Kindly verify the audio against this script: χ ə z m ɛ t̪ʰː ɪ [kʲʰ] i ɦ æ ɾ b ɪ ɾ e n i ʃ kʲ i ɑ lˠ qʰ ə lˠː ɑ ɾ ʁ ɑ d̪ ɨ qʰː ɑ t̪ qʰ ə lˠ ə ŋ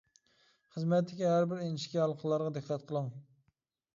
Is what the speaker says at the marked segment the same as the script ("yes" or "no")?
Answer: no